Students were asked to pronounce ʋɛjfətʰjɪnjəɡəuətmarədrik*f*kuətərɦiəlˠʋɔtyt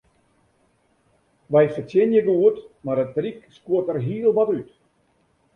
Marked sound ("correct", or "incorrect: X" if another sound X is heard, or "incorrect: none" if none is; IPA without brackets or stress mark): incorrect: s